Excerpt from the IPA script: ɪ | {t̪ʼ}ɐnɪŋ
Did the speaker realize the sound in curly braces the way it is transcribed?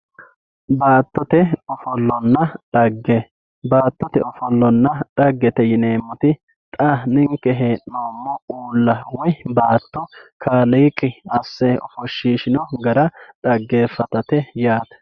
yes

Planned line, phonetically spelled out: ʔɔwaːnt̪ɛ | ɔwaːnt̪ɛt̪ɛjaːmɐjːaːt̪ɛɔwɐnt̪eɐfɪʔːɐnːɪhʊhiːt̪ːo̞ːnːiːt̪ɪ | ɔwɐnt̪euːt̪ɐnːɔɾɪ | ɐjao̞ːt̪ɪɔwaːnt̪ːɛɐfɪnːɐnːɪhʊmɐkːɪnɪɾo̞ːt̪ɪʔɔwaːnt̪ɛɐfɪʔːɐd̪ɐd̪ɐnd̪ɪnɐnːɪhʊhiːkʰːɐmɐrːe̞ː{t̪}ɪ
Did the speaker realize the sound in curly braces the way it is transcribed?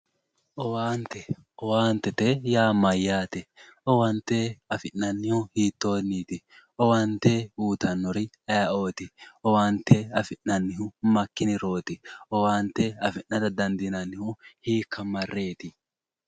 yes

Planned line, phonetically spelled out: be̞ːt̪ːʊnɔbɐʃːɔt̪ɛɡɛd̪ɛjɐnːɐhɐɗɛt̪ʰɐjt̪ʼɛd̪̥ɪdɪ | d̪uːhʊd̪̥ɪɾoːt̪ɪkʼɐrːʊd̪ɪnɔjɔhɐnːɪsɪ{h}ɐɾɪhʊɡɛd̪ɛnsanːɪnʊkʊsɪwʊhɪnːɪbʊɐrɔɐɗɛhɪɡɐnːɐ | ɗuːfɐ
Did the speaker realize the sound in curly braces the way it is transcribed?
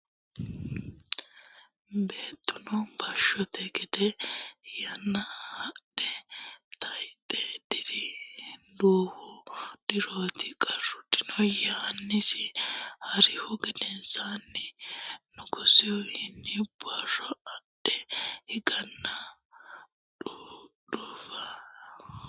yes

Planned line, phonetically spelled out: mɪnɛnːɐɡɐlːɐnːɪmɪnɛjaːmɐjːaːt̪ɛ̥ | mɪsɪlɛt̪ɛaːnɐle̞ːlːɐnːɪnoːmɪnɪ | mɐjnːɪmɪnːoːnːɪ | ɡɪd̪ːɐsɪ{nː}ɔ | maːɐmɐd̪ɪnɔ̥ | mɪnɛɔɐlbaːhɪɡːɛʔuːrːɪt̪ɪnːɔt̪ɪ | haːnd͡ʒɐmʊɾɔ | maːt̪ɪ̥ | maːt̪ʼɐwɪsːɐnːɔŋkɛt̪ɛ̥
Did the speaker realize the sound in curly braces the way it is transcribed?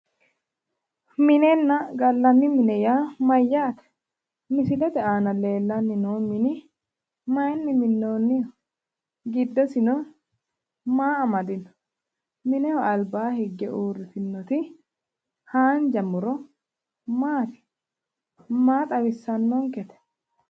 no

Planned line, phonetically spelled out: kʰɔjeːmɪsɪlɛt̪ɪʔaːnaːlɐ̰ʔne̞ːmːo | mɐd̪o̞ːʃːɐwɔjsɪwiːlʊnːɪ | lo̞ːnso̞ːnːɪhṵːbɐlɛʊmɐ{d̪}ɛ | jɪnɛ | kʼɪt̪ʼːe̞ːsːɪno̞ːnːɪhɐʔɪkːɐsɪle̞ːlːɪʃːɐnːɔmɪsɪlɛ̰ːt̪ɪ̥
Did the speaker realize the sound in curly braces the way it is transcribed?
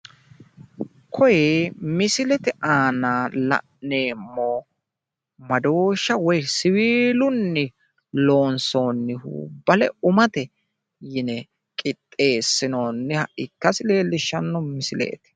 no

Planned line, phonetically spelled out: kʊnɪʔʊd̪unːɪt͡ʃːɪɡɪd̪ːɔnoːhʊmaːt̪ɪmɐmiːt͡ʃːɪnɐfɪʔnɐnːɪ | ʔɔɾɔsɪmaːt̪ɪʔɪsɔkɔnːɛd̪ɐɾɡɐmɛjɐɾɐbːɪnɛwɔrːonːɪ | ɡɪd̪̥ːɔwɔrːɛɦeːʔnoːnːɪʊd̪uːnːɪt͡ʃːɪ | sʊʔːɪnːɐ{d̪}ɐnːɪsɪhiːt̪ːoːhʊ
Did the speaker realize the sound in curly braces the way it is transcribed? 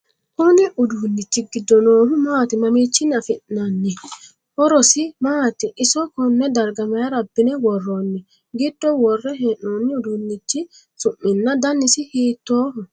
yes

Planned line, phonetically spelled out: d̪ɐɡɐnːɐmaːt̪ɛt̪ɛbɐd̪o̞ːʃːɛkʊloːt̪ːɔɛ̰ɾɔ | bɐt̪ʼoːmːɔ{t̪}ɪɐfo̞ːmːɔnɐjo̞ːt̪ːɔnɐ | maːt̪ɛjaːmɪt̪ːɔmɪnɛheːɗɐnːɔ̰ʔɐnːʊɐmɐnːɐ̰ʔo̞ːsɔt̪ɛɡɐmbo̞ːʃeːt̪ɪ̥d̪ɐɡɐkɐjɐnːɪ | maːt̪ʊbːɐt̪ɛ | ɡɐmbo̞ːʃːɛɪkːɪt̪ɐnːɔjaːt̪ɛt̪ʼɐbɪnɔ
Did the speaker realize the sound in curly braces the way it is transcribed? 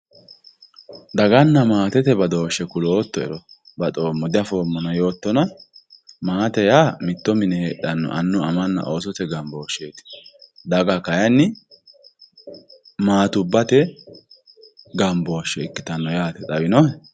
no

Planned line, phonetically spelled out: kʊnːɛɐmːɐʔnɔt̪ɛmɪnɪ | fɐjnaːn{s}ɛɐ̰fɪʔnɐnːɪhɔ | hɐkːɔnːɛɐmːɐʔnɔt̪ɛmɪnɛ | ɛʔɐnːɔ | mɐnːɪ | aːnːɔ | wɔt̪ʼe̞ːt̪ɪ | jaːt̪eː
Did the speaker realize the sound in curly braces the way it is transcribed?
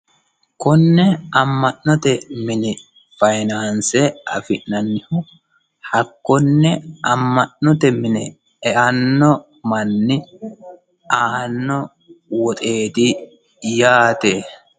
yes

